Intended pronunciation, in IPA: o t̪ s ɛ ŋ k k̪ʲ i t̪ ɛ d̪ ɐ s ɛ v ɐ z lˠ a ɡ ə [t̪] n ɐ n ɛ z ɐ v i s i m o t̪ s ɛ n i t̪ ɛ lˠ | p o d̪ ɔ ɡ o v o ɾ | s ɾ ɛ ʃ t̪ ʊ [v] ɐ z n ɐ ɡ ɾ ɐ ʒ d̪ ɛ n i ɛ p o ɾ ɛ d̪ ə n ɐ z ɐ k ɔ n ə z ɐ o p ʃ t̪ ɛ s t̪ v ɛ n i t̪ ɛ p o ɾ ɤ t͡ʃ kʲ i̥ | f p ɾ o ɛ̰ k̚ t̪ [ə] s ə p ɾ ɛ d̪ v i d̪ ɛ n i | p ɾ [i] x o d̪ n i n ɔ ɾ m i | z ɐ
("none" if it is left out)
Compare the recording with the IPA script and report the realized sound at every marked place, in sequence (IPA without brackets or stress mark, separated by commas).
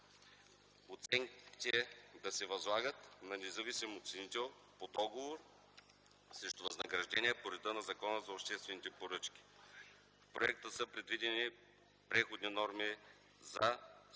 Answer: t̪, v, ə, ɛ